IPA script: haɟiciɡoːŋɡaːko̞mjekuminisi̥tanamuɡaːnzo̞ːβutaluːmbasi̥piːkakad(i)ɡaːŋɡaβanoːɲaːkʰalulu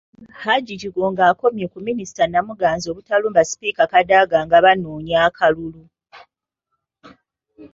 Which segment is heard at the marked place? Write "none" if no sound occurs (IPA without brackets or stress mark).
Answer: a